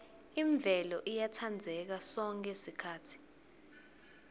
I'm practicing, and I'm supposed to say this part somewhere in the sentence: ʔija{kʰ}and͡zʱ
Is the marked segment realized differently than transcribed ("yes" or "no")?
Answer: yes